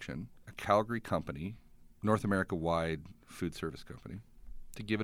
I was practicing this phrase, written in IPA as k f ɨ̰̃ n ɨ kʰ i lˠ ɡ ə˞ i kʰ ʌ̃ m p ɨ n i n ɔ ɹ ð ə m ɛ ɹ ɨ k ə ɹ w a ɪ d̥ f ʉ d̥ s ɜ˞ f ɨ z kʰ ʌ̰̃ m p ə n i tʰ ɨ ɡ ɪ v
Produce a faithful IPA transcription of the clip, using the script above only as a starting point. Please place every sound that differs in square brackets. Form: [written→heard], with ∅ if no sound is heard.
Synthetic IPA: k [f→ʃ] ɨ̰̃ n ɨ kʰ [i→æ] lˠ ɡ ə˞ i kʰ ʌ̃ m p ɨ n i n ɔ ɹ [ð→θ] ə m ɛ ɹ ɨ k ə [ɹ→∅] w a ɪ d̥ f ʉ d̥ s ɜ˞ [f→v] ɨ [z→s] kʰ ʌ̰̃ m p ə n i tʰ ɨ ɡ ɪ v